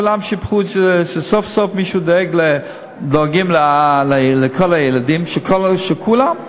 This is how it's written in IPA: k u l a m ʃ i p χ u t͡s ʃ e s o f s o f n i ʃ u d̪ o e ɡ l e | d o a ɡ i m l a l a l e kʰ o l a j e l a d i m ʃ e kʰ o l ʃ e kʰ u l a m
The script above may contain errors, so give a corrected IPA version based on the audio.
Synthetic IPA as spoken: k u l a m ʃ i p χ u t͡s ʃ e s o f s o f m i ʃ u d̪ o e ɡ l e | d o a ɡ i m l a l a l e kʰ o l a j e l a d i m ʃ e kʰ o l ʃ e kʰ u l a m